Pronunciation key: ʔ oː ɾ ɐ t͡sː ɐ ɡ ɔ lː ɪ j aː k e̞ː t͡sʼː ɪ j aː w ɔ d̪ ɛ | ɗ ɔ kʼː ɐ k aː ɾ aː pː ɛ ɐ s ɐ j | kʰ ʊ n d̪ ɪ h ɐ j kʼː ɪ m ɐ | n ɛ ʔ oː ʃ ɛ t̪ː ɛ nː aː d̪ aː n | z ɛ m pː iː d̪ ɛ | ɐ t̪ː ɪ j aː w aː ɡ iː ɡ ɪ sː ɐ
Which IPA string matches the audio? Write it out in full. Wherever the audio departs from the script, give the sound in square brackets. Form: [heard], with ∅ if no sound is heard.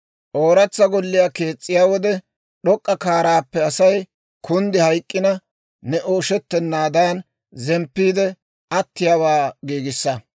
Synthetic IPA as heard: ʔ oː ɾ ɐ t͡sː ɐ ɡ ɔ lː ɪ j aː k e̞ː t͡sʼː ɪ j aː w ɔ d̪ ɛ | ɗ ɔ kʼː ɐ k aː ɾ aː pː ɛ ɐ s ɐ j | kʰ ʊ n d̪ ɪ h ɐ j kʼː ɪ [n] ɐ | n ɛ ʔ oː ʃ ɛ t̪ː ɛ nː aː d̪ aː n | z ɛ m pː iː d̪ ɛ | ɐ t̪ː ɪ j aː w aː ɡ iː ɡ ɪ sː ɐ